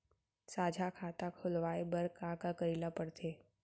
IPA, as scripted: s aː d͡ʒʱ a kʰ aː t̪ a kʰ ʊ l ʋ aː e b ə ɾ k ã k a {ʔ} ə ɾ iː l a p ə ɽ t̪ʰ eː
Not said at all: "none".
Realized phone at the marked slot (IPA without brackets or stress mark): k